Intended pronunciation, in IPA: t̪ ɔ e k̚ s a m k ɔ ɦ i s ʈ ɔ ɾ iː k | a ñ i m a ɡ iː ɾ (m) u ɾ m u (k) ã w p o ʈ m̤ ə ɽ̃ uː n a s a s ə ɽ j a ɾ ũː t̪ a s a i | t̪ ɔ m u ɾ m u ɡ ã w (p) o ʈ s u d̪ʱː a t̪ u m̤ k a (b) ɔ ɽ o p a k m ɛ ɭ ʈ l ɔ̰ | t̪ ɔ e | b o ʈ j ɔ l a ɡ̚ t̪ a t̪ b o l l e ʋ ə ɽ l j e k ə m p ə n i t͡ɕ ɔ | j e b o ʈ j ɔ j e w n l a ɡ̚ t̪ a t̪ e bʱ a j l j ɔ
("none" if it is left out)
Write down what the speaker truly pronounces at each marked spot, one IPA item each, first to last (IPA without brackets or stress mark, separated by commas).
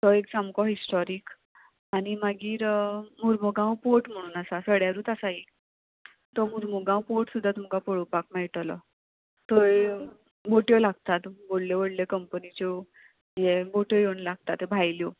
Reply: m, ɡ, p, p